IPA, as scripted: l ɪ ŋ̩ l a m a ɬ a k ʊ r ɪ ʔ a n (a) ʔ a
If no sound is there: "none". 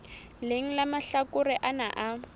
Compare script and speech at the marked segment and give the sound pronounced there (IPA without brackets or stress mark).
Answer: a